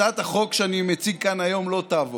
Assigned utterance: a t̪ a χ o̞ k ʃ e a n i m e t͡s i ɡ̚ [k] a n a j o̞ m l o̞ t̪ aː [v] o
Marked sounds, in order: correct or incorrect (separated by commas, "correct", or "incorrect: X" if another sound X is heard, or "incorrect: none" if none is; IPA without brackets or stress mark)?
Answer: correct, correct